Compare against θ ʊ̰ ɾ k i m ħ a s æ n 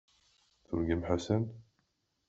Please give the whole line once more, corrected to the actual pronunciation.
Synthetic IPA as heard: θ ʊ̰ ɾ ɡ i m ħ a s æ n